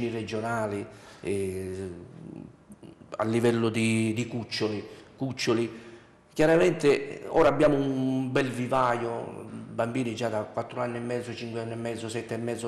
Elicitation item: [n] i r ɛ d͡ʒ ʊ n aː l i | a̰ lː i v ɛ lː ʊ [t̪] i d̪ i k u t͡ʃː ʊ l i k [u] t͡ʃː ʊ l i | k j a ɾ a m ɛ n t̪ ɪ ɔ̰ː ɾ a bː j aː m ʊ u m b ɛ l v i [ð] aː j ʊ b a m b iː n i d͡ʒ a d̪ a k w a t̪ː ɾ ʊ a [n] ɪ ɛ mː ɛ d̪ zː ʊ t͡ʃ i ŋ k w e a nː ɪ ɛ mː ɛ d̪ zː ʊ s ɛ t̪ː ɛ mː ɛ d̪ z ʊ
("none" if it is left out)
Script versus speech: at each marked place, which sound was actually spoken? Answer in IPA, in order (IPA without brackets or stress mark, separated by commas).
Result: n, d̪, u, v, nː